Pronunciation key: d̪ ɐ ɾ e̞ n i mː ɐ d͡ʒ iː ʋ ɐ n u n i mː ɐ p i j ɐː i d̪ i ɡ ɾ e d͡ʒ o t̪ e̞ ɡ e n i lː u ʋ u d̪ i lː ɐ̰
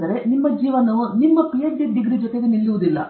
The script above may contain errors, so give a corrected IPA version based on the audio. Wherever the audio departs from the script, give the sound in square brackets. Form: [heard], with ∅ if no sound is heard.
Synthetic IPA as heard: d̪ ɐ ɾ e̞ n i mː ɐ d͡ʒ iː ʋ ɐ n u n i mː ɐ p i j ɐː i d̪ i ɡ ɾ [i] d͡ʒ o t̪ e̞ ɡ e n i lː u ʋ u d̪ i lː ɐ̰